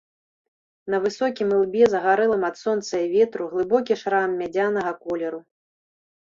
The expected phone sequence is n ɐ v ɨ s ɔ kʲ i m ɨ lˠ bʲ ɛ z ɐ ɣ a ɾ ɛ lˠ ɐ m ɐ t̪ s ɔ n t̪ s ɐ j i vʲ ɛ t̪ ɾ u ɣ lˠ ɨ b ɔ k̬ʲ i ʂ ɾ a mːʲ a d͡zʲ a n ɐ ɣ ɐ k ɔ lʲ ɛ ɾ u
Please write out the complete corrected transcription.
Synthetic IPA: n ɐ v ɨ s ɔ kʲ i m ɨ lˠ bʲ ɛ z ɐ ɣ a ɾ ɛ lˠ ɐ m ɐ t̪ s ɔ n t̪ s ɐ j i vʲ ɛ t̪ ɾ u ɣ lˠ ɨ b ɔ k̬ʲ i ʂ ɾ a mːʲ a d͡zʲ a n ɐ ɣ ɐ k ɔ lʲ ɛ ɾ u